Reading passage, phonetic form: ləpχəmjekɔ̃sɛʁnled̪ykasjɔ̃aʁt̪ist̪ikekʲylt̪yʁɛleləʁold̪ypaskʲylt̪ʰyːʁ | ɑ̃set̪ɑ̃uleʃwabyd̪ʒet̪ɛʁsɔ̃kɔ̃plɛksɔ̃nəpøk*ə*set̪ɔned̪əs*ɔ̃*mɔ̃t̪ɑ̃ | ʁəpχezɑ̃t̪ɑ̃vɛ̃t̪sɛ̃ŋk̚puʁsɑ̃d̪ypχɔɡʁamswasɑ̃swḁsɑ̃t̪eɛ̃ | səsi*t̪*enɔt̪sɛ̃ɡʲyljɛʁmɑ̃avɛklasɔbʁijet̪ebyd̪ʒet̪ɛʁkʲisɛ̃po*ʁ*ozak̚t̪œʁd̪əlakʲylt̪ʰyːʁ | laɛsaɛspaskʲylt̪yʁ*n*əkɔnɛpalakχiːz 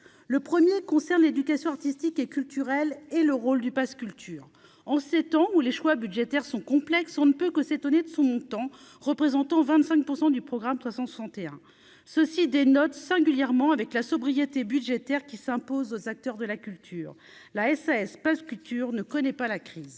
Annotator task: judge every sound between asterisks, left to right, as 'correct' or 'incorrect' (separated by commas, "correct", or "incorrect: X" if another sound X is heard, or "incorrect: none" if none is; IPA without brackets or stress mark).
correct, correct, incorrect: d̪, incorrect: z, correct